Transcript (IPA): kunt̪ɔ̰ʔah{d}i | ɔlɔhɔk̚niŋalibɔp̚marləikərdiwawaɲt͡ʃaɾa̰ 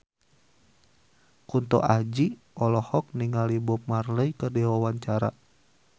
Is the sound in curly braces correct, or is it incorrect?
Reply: incorrect: d͡ʒ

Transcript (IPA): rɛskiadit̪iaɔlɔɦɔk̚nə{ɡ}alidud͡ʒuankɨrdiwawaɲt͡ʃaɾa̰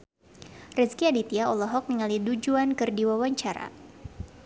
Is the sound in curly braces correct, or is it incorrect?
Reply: incorrect: ŋ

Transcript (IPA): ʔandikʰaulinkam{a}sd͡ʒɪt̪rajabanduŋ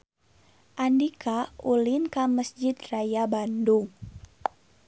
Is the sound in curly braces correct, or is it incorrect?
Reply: incorrect: ə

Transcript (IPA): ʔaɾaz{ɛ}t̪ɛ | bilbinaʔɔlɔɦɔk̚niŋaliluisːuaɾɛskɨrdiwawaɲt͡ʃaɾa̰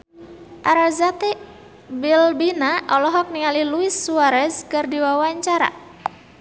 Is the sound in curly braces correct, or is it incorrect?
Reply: incorrect: a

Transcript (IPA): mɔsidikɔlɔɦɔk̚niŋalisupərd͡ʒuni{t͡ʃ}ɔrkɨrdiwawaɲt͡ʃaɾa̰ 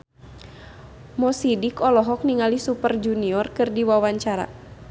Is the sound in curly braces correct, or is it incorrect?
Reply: incorrect: none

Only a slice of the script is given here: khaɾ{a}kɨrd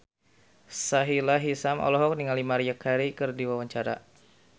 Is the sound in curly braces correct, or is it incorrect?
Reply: incorrect: i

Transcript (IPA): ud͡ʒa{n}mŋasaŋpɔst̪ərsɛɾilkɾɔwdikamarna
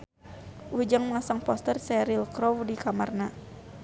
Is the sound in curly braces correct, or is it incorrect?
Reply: incorrect: ŋ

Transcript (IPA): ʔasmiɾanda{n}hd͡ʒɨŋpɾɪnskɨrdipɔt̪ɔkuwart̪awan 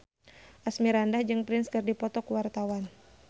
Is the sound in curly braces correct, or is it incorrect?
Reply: incorrect: none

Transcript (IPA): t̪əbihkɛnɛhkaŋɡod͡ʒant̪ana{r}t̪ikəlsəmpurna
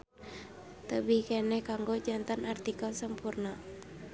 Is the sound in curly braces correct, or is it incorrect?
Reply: correct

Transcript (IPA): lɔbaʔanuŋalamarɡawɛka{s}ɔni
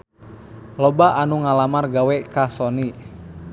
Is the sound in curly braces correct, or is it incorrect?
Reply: correct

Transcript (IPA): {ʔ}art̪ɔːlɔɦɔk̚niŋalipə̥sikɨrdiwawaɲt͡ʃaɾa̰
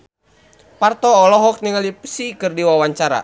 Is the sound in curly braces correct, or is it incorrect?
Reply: incorrect: p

